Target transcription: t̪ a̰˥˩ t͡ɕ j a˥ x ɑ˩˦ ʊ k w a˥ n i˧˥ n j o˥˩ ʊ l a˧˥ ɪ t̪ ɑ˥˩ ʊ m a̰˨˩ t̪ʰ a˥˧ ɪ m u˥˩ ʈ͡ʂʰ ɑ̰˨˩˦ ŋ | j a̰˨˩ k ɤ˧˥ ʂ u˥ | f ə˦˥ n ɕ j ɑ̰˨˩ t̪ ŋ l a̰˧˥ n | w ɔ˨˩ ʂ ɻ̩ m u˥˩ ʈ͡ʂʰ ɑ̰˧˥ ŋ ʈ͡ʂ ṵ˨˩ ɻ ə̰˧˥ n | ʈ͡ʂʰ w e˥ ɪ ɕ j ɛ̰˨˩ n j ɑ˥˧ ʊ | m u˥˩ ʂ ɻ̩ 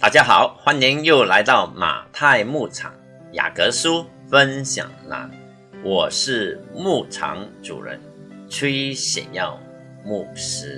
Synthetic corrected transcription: t̪ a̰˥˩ t͡ɕ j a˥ x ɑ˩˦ ʊ x w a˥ n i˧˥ n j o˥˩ ʊ l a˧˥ ɪ t̪ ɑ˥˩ ʊ m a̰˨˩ t̪ʰ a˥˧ ɪ m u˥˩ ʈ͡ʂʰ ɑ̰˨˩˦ ŋ | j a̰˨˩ k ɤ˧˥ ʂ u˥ | f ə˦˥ n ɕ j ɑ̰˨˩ ŋ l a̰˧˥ n | w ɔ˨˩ ʂ ɻ̩ m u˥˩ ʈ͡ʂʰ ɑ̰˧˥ ŋ ʈ͡ʂ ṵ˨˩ ɻ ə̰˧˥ n | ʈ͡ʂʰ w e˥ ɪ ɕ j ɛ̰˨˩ n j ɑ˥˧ ʊ | m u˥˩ ʂ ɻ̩